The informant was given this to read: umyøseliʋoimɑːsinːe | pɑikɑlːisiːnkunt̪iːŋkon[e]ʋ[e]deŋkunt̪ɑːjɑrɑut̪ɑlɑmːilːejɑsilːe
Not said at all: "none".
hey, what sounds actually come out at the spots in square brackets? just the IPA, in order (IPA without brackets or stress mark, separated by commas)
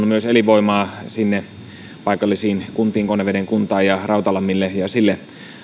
e, e